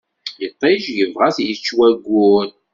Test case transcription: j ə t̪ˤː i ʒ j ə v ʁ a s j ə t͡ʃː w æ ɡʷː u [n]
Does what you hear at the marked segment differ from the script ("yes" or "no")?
no